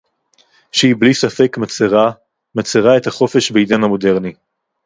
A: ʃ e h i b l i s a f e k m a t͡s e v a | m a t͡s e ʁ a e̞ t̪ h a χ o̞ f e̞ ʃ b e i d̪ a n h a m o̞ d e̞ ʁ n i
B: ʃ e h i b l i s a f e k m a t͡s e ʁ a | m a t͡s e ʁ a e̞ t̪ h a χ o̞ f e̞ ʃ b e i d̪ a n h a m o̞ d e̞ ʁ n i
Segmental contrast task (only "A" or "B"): B